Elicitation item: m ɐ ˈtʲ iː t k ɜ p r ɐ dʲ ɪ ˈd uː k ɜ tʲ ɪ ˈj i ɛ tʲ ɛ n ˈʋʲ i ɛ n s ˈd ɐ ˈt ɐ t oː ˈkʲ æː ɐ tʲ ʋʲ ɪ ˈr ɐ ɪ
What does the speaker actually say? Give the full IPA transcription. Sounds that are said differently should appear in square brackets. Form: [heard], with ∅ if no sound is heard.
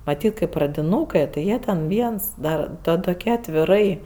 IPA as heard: m ɐ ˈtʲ iː t k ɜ p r ɐ dʲ ɪ [ˈn] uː k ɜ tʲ ɪ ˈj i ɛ tʲ ɛ n ˈʋʲ i ɛ n s ˈd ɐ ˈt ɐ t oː ˈkʲ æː ɐ tʲ ʋʲ ɪ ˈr ɐ ɪ